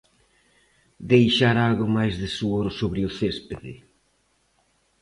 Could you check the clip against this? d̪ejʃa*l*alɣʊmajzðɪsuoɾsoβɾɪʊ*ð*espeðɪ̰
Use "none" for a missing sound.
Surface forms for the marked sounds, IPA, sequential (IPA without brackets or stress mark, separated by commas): ɾ, θ